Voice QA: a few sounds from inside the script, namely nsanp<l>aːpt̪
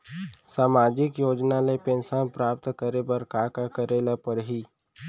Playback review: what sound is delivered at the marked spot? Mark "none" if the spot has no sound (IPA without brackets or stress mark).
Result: ɾ